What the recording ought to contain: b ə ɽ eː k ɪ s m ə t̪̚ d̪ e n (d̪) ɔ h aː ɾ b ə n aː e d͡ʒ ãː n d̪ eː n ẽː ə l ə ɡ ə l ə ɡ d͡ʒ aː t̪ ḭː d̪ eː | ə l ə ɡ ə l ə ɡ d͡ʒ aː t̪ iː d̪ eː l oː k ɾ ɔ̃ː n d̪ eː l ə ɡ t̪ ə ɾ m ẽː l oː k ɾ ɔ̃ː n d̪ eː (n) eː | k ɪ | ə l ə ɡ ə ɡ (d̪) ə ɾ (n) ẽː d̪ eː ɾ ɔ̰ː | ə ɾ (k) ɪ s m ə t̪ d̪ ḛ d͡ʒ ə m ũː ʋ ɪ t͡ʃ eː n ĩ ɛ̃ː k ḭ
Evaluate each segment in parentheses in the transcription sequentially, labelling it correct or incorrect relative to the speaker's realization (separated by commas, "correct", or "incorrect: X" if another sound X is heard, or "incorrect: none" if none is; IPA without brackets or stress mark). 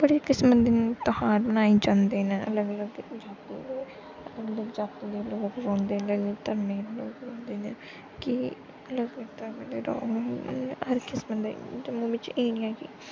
incorrect: t̪, correct, incorrect: t̪, incorrect: m, correct